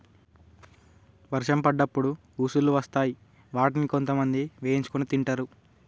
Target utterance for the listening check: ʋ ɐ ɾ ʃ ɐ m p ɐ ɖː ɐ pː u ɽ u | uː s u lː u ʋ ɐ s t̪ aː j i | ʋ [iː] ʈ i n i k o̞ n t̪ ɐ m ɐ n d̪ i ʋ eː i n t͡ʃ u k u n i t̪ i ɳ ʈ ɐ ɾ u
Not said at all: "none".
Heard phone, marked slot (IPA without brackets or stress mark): aː